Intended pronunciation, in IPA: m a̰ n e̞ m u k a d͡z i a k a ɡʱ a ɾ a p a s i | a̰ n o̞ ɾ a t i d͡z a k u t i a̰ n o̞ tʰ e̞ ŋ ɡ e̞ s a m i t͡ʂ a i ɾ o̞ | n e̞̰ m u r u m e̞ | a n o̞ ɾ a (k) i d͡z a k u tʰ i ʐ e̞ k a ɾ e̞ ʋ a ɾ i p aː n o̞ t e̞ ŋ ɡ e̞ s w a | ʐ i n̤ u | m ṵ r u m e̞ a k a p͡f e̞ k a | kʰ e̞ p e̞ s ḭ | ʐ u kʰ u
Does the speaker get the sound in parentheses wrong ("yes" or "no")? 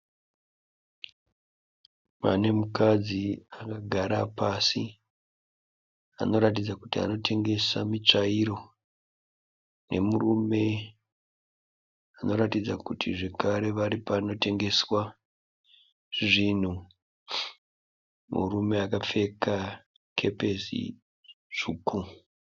yes